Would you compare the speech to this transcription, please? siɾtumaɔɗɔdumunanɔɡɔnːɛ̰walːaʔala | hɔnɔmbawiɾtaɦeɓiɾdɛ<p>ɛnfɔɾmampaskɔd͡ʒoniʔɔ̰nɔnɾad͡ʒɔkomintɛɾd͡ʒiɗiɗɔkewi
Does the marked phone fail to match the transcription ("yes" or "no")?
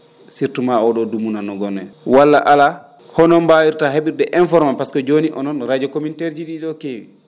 yes